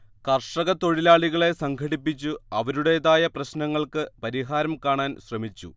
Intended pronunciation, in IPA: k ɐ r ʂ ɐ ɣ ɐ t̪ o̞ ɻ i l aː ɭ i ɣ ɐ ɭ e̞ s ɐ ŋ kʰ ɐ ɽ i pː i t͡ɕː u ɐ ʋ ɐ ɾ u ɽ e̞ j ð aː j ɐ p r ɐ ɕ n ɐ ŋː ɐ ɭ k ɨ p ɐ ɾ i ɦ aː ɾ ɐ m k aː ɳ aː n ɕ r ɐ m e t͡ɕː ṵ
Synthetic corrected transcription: k ɐ r ʂ ɐ ɣ ɐ t̪ o̞ ɻ i l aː ɭ i ɣ ɐ ɭ e̞ s ɐ ŋ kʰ ɐ ɽ i pː i t͡ɕː u ɐ ʋ ɐ ɾ u ɽ e̞ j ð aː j ɐ p r ɐ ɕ n ɐ ŋː ɐ ɭ k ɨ p ɐ ɾ i ɦ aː ɾ ɐ m k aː ɳ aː n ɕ r ɐ m i t͡ɕː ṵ